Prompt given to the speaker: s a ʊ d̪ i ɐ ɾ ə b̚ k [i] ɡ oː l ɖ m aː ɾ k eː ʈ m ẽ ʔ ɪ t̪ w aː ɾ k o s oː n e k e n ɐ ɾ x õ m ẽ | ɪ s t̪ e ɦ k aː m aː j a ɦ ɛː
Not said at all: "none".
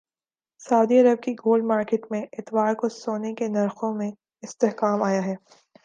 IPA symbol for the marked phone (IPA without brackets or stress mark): i